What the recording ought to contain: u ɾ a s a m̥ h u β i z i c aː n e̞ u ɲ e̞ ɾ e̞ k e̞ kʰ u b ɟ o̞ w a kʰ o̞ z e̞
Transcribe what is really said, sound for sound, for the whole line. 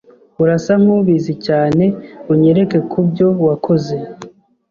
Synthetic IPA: u ɾ a s a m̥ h u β i z i c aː n e̞ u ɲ e̞ ɾ e̞ k e̞ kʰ u b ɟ o̞ w a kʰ o̞ z e̞